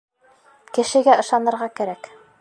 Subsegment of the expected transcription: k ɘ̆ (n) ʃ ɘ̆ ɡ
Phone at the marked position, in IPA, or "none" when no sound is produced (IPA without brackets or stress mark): none